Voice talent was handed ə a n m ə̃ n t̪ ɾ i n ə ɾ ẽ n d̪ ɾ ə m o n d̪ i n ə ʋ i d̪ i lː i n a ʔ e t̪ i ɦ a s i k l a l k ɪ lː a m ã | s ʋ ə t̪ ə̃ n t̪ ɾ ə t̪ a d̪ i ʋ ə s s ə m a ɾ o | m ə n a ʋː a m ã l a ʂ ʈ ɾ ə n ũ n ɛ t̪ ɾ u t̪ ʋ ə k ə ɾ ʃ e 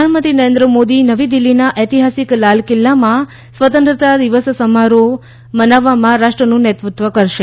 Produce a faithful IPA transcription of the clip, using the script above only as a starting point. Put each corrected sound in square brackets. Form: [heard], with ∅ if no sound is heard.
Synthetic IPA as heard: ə a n m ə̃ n t̪ ɾ i n ə ɾ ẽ n d̪ ɾ ə m o [∅] d̪ i n ə ʋ i d̪ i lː i n a ʔ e t̪ i ɦ a s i k l a l k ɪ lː a m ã | s ʋ ə t̪ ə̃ n t̪ ɾ ə t̪ a d̪ i ʋ ə s s ə m a ɾ o | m ə n a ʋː a m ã [ɾ] a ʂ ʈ ɾ ə n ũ n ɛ t̪ ɾ u t̪ ʋ ə k ə ɾ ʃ e